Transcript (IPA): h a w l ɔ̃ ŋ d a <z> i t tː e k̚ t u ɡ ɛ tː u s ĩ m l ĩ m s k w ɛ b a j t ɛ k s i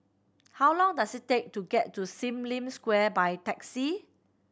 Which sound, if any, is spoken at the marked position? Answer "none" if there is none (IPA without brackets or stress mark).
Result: s